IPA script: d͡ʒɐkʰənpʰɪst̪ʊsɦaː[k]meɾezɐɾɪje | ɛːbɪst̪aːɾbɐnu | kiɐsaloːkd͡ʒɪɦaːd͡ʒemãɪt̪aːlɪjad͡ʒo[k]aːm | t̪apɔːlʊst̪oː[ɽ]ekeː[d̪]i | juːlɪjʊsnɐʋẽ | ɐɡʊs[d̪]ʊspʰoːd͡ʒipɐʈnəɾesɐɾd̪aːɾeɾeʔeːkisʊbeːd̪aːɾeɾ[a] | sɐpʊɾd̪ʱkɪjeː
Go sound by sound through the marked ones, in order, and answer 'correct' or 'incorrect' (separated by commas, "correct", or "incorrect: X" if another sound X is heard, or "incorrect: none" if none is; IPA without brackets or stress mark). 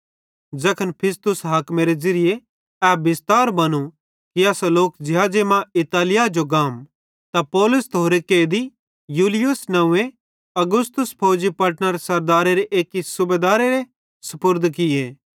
correct, incorrect: ɡ, incorrect: ɾ, correct, incorrect: t̪, incorrect: e